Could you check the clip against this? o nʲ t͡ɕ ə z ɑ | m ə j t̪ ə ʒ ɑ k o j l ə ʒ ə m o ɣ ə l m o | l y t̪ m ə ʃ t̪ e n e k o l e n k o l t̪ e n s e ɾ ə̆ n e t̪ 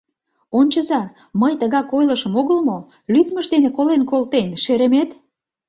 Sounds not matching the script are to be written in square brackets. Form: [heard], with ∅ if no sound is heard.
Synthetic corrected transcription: o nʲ t͡ɕ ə z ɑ | m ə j t̪ ə [ɣ] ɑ k o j l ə [ʃ] ə m o ɣ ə l m o | l y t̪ m ə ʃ [d̪] e n e k o l e n k o l t̪ e n [ʃ] e ɾ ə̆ [m] e t̪

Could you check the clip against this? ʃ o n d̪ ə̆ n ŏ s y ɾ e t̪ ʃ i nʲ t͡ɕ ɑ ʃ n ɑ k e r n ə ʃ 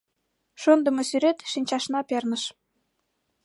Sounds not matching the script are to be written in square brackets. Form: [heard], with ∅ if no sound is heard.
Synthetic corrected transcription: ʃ o n d̪ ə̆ [m] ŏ s y ɾ e t̪ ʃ i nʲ t͡ɕ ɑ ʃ n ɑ [p] e r n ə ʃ

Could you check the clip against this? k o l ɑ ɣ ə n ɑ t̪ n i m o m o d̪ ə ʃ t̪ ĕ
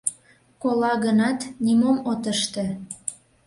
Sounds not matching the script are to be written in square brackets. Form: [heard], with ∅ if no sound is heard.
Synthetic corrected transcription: k o l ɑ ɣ ə n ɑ t̪ n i m o m o [t̪] ə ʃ t̪ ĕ

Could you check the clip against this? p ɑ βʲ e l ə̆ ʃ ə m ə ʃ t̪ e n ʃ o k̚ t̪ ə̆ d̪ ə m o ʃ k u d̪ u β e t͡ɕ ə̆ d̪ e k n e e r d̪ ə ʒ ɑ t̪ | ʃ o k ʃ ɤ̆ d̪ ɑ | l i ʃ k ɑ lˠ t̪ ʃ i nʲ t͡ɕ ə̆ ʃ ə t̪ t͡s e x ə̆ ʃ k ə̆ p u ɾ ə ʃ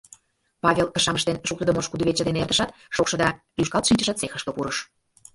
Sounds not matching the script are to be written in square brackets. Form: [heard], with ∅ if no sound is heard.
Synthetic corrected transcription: p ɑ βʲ e l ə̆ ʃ [ɑ] m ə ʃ t̪ e n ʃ [u] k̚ t̪ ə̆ d̪ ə m o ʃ k u d̪ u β e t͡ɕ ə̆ d̪ e [∅] n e e r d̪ ə [ʃ] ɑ t̪ | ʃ o k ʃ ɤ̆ d̪ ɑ | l [y] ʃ k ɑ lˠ t̪ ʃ i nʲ t͡ɕ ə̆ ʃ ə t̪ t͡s e x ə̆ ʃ k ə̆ p u ɾ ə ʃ

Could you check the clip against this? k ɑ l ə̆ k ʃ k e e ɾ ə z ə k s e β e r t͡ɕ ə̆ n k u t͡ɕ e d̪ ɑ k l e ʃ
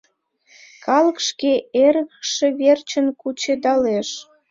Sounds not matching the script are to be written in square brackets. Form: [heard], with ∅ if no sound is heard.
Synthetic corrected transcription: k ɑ l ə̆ k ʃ k e e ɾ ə [ɣ] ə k [ʃ] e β e r t͡ɕ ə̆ n k u t͡ɕ e d̪ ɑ [∅] l e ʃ

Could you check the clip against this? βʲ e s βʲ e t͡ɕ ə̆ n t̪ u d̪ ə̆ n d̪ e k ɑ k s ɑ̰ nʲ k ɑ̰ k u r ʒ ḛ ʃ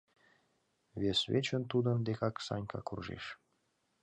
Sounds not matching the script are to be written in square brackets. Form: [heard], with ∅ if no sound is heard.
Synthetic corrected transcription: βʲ e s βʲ e t͡ɕ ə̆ n t̪ u d̪ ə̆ n d̪ e k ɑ k s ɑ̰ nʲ k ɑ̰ k u r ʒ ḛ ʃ

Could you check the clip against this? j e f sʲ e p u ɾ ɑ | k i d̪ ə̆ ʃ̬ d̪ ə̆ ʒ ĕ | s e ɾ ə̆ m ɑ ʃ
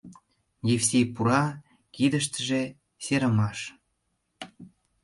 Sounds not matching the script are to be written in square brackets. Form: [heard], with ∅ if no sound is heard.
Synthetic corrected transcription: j e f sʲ e p u ɾ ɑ | k i d̪ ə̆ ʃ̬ [t̪] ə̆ ʒ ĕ | s e ɾ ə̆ m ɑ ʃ

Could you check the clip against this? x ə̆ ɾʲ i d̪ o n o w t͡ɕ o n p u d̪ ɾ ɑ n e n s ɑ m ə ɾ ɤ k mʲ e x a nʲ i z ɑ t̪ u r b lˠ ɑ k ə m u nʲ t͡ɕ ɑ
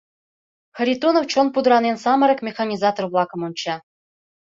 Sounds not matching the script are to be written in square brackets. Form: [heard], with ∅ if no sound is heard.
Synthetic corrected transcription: x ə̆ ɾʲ i [t̪] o n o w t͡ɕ o n p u d̪ ɾ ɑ n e n s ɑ m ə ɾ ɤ k mʲ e x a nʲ i z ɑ t̪ [o] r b lˠ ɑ k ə m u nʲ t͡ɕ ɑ

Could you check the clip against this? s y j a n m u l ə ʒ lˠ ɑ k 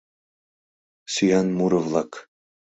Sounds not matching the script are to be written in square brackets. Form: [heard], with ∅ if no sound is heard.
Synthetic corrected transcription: s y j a n m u [ɾ] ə [v] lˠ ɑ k

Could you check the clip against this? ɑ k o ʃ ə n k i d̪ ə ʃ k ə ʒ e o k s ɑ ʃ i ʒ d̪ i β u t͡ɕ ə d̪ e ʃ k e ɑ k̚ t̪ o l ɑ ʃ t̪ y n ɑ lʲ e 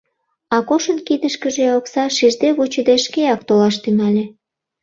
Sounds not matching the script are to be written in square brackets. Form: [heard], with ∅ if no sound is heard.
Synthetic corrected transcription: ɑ k o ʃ ə n k i d̪ ə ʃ k ə ʒ e o k s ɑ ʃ i ʒ d̪ [e] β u t͡ɕ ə d̪ e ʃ k e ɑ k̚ t̪ o l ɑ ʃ t̪ y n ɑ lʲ e

